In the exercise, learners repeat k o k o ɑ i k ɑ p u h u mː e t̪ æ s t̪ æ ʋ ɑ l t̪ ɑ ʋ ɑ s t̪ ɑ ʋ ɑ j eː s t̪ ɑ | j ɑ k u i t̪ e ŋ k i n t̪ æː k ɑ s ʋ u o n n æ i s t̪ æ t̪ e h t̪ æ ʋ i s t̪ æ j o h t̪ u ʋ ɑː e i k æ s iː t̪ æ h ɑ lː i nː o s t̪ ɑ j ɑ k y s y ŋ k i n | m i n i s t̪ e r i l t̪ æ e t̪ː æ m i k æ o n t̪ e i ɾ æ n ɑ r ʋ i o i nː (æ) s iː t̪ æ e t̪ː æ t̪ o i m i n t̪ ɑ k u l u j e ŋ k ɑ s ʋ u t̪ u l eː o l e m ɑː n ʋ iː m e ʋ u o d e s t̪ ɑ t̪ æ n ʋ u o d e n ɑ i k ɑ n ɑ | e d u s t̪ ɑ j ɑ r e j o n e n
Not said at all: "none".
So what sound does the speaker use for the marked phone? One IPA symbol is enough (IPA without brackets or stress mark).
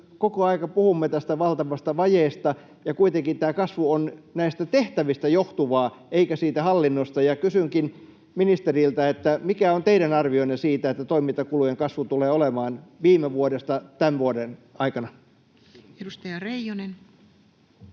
e